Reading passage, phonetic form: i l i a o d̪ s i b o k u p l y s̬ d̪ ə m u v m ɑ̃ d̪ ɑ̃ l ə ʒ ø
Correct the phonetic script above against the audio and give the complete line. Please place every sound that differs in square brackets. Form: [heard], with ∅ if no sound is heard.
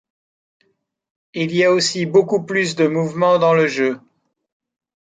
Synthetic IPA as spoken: i l i a o [∅] s i b o k u p l y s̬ d̪ ə m u v m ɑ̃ d̪ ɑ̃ l ə ʒ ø